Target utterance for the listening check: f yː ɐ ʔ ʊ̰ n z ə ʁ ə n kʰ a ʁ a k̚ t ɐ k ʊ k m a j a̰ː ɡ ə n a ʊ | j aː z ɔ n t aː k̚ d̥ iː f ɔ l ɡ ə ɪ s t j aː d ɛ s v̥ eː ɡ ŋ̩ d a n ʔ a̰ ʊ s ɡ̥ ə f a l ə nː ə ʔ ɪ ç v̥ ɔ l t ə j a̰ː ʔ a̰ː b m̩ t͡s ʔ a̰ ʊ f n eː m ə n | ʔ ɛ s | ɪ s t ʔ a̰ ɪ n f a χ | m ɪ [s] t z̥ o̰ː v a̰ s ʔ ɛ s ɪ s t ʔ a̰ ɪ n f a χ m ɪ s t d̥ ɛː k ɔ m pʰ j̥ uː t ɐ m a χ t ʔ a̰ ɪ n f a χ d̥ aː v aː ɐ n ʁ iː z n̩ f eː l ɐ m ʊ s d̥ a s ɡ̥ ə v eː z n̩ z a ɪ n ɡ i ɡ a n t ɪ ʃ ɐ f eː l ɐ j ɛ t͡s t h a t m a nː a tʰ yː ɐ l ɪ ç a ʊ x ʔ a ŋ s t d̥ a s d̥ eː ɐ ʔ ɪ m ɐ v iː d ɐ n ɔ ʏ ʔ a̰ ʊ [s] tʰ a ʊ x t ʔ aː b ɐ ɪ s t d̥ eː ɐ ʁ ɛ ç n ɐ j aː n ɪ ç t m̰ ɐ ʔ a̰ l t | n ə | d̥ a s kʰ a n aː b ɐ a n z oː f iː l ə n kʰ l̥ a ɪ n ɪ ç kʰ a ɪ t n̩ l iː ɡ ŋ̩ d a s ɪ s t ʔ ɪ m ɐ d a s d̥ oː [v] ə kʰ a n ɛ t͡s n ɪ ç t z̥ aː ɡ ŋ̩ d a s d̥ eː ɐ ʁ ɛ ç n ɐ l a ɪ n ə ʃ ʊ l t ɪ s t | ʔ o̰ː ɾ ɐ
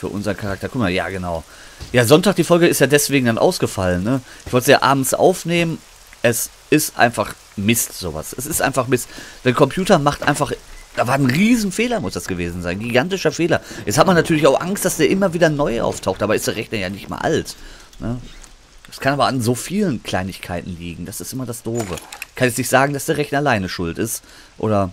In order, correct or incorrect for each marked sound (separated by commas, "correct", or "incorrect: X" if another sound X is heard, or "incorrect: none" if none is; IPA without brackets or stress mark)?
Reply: correct, incorrect: f, correct